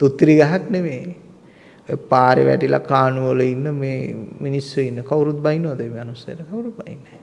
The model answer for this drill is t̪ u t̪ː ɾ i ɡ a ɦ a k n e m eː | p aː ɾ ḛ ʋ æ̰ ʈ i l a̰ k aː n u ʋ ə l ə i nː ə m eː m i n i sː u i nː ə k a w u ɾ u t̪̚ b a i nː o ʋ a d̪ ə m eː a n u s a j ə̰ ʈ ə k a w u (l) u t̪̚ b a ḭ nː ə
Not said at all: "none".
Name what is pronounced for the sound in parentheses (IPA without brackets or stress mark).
ɾ